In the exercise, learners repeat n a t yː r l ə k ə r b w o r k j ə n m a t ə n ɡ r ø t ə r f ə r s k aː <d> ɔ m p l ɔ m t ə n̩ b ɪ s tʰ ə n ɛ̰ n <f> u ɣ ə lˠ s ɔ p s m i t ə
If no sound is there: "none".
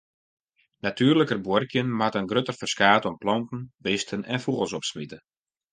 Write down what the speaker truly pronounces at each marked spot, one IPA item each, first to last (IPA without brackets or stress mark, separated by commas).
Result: t, f